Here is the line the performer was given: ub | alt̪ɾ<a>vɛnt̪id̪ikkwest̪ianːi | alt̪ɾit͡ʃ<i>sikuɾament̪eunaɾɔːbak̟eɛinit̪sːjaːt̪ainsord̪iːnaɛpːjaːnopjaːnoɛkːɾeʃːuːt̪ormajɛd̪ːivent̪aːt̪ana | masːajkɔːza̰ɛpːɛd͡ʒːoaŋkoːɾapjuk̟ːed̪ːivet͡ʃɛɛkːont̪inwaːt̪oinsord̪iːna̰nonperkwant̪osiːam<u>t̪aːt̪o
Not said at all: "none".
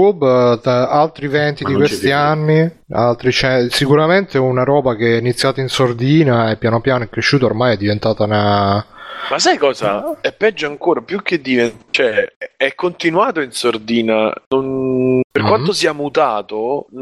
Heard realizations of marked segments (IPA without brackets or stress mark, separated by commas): i, ɛ, u